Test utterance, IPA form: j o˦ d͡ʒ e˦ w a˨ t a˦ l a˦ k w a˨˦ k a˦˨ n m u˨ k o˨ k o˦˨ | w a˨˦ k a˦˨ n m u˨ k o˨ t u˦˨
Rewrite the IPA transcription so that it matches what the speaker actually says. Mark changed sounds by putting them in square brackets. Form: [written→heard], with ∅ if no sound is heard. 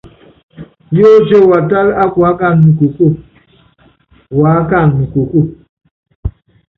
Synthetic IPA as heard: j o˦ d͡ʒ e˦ w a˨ t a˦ l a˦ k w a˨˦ k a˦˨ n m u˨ k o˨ k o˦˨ | w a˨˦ k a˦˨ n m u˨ k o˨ [t→k] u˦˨